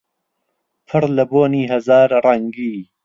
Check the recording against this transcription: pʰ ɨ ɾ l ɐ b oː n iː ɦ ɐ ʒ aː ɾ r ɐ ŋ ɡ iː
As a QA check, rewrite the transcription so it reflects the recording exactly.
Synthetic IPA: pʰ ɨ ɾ l ɐ b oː n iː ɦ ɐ z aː ɾ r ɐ ŋ ɡ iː